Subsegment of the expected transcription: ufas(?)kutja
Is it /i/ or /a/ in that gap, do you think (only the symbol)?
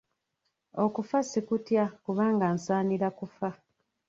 i